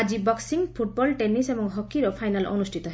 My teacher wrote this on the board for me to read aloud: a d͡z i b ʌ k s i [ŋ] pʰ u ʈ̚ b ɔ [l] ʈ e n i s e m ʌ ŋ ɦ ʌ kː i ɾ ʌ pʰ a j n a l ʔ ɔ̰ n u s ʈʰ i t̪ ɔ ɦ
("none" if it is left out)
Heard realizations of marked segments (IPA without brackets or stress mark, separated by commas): ŋ, l